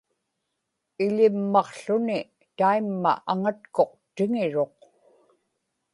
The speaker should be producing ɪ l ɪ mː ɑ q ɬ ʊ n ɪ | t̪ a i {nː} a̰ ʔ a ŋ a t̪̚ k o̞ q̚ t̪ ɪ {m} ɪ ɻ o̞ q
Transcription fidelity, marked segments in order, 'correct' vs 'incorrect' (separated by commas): incorrect, incorrect